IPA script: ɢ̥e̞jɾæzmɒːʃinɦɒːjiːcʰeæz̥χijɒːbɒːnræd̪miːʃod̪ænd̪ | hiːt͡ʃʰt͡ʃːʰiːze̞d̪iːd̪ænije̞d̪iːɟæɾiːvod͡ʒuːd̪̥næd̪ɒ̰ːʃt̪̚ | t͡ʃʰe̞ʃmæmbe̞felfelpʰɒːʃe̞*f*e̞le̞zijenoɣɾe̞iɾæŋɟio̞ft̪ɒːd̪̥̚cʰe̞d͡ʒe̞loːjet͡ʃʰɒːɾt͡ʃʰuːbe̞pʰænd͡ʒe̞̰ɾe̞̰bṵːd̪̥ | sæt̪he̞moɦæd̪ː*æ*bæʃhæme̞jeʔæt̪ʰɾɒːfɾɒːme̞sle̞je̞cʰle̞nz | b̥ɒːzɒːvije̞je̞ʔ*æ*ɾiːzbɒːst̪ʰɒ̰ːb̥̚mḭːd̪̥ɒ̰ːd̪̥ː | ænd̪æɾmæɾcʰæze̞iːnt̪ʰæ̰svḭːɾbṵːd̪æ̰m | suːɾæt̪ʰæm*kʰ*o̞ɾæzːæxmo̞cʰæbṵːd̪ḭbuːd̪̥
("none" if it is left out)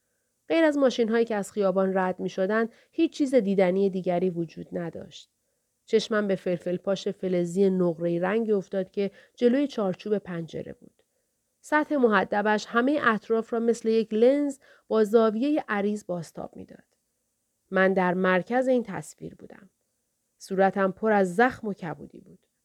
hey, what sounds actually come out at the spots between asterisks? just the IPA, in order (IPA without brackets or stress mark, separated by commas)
f, æ, æ, pʰ